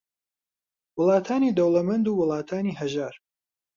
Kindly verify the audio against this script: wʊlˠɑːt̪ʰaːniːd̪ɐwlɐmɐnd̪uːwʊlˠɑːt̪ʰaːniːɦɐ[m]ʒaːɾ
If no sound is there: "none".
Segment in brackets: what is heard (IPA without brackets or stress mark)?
none